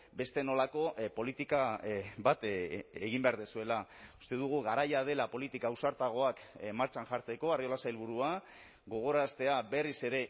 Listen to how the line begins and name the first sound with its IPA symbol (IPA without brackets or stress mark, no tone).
b